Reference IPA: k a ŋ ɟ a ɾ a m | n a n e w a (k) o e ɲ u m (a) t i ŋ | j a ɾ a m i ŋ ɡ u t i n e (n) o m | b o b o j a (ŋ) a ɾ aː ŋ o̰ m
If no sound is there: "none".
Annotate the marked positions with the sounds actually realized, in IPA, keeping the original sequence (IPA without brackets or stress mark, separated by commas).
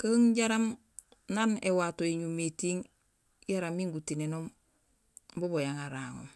t, e, n, ŋ